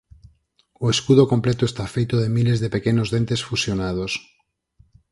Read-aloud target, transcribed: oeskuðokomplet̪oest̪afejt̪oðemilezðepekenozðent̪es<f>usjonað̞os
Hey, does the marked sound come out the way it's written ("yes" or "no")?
yes